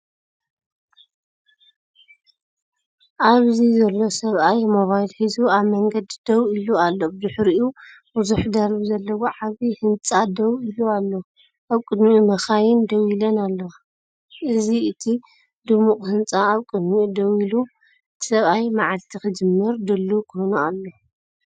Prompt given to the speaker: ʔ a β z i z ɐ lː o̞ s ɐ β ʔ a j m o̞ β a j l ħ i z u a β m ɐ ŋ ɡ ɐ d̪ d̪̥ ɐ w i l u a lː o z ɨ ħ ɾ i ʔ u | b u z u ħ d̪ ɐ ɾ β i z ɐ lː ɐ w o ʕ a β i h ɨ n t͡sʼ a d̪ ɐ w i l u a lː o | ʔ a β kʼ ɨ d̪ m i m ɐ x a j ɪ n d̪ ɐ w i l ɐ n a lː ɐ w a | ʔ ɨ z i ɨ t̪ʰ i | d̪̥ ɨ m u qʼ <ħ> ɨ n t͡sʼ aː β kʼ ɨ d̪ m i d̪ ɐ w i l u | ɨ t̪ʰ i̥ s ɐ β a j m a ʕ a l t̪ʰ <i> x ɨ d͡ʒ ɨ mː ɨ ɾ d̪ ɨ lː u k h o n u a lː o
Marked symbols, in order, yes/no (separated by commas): no, yes